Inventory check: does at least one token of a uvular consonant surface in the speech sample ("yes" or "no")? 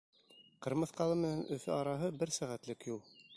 yes